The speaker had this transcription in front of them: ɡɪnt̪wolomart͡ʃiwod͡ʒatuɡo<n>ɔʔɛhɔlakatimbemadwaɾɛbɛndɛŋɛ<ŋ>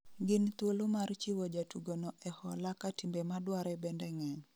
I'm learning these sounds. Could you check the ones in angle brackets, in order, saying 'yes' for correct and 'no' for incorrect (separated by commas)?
yes, no